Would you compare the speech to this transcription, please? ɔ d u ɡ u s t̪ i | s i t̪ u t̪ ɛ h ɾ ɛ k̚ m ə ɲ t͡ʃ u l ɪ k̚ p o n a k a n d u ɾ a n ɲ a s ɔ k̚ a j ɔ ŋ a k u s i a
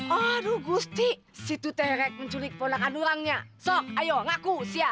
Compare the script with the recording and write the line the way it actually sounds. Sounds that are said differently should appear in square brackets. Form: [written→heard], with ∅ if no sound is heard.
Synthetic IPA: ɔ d u ɡ u s t̪ i | s i t̪ u t̪ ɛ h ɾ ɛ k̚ m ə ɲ t͡ʃ u l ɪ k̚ p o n a k a n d u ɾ a [n→ŋ] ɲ a s ɔ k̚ a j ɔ ŋ a k u s i a